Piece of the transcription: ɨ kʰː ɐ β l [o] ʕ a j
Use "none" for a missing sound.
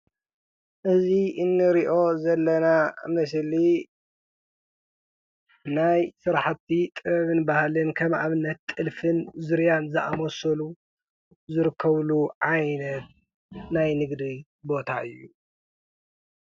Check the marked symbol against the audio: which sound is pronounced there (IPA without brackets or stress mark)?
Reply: u